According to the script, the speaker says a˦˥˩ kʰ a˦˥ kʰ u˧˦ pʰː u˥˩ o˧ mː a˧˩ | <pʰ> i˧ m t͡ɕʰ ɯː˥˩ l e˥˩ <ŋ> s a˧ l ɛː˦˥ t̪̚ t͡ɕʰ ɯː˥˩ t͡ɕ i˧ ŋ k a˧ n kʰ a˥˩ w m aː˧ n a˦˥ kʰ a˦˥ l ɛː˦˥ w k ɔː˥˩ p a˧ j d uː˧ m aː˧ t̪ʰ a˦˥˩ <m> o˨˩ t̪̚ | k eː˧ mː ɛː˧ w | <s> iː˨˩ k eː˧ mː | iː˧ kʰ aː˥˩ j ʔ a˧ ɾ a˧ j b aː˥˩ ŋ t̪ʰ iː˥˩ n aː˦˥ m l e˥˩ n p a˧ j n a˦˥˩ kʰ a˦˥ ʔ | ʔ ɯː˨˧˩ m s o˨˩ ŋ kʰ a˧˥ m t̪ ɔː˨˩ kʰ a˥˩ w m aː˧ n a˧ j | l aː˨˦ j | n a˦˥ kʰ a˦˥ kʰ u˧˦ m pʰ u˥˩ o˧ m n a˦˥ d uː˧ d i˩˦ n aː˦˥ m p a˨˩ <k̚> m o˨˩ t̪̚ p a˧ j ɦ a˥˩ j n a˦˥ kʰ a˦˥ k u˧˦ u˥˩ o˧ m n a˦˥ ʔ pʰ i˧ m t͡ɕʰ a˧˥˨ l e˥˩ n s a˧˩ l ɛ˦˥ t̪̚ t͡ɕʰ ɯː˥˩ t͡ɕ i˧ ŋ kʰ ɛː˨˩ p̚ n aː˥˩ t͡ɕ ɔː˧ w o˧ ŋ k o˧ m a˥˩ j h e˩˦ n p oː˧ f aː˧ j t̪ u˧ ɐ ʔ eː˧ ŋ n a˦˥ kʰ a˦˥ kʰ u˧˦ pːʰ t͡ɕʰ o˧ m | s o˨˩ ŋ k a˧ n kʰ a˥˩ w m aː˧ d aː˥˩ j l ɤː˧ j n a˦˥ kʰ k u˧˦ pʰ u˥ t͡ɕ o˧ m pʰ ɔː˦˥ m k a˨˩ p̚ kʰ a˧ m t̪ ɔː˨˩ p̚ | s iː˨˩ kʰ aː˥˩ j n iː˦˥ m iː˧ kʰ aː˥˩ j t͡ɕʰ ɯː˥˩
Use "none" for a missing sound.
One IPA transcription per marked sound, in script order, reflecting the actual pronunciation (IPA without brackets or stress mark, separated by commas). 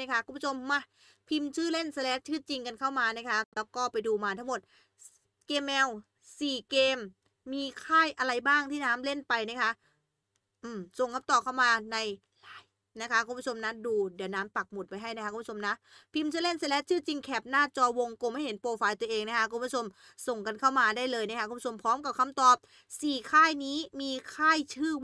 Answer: pʰ, n, m, s, k̚